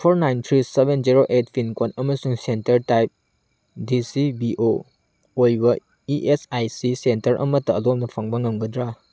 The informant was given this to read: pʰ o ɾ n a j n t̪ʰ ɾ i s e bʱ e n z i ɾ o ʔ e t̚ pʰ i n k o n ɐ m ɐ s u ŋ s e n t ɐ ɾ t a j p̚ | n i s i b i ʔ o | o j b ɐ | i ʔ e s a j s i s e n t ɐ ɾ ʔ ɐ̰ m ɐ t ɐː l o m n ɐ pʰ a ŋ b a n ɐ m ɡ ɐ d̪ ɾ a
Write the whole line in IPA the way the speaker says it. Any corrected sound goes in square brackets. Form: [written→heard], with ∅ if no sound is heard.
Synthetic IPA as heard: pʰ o ɾ n a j n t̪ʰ ɾ i s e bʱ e n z i ɾ o ʔ e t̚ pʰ i n k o n ɐ m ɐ s u ŋ s e n t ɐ ɾ t a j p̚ | [n→d] i s i b i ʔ o | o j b ɐ | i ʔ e s a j s i s e n t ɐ ɾ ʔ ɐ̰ m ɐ t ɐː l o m n ɐ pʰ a ŋ b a [n→ŋ] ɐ m ɡ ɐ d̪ ɾ a